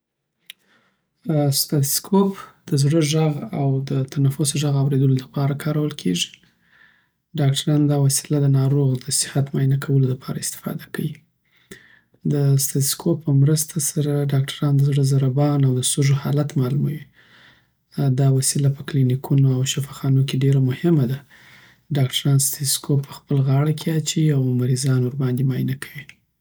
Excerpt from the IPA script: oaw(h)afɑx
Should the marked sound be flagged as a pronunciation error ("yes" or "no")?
yes